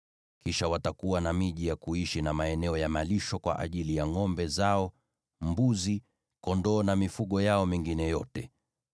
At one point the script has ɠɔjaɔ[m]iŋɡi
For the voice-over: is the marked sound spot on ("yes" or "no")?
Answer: yes